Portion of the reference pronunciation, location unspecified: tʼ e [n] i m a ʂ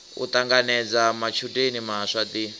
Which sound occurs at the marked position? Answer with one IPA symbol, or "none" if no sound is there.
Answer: n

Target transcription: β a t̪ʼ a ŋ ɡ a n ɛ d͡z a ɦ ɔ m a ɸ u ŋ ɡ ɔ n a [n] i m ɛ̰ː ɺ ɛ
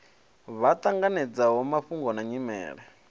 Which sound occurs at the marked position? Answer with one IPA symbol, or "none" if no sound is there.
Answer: ɲ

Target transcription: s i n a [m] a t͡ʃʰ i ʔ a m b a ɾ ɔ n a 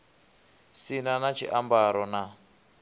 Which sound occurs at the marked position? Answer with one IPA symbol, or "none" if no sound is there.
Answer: n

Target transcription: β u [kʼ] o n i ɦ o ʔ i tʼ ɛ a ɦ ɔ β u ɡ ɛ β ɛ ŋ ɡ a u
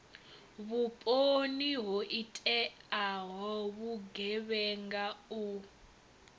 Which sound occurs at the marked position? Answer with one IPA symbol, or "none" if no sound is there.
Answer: pʼ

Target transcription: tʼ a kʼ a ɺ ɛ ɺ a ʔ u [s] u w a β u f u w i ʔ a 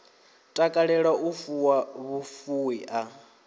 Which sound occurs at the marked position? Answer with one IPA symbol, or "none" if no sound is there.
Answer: f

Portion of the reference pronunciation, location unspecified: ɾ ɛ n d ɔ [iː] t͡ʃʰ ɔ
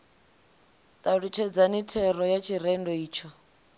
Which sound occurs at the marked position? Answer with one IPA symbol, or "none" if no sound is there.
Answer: iː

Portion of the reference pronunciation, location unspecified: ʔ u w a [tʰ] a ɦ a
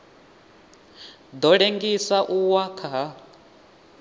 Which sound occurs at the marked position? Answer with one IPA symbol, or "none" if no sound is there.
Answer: kʰ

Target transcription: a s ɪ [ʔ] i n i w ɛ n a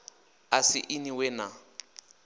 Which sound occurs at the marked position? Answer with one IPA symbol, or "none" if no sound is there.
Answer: ʔ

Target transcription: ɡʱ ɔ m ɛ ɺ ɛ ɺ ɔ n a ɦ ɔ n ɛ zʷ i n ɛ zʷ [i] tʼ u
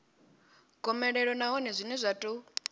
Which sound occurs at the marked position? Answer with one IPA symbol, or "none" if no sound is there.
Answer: a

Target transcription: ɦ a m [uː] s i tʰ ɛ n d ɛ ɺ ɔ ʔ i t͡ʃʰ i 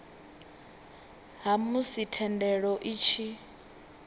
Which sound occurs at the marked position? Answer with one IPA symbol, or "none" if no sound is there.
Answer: u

